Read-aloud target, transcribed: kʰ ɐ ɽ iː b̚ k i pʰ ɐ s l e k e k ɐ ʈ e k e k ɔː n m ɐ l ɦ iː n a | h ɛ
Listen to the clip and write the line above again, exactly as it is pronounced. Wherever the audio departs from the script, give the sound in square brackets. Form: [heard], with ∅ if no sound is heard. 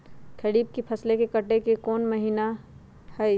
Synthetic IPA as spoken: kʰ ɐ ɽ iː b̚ k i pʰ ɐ s l e k e k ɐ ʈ e k e k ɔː n m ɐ [∅] ɦ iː n a | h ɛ